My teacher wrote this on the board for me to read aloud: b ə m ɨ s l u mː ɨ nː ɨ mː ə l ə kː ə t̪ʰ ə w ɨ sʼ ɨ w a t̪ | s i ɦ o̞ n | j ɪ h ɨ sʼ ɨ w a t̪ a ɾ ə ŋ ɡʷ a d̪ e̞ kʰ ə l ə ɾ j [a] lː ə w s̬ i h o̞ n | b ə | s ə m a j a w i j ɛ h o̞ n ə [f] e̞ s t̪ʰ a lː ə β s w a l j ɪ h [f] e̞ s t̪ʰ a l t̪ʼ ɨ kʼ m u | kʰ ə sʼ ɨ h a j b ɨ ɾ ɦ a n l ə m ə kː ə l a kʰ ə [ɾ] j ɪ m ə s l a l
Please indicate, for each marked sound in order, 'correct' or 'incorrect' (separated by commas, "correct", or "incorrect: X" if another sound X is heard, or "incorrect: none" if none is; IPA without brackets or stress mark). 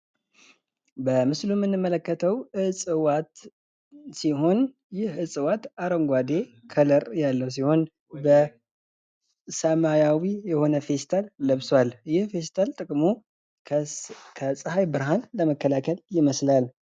correct, correct, correct, incorrect: l